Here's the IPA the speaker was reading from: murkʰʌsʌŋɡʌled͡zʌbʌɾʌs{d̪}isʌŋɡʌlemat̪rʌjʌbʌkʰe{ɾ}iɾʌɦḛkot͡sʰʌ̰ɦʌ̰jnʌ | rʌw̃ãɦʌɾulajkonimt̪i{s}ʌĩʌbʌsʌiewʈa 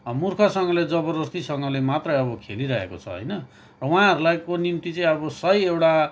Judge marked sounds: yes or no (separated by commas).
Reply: no, no, no